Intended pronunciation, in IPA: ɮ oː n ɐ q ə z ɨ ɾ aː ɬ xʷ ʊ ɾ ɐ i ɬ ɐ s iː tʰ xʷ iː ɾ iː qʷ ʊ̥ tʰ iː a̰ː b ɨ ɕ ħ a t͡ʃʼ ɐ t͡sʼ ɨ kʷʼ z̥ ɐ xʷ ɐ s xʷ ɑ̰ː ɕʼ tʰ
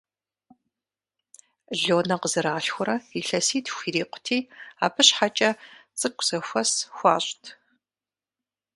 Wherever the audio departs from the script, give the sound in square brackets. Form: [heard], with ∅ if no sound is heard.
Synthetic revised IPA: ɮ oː n ɐ q ə z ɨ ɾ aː ɬ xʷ ʊ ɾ ɐ i ɬ ɐ s iː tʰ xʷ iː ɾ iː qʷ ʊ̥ tʰ iː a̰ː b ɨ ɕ ħ a t͡ʃʼ ɐ t͡sʼ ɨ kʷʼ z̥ ɐ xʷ ɐ s xʷ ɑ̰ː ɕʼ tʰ